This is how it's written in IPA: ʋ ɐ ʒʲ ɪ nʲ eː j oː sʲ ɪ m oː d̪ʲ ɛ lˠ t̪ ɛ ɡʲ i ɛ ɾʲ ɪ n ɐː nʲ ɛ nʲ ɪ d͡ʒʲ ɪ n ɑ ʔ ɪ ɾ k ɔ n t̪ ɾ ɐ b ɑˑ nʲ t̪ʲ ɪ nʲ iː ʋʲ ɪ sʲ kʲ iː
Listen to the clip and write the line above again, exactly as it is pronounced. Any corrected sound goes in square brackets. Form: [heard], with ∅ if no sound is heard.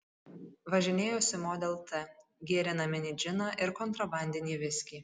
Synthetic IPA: ʋ ɐ ʒʲ ɪ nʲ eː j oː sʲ ɪ m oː d̪ʲ ɛ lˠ t̪ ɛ ɡʲ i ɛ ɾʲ ɪ n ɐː [mʲ] ɛ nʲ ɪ d͡ʒʲ ɪ n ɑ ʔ ɪ ɾ k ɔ n t̪ ɾ ɐ b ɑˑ nʲ [d̪ʲ] ɪ nʲ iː ʋʲ ɪ sʲ kʲ iː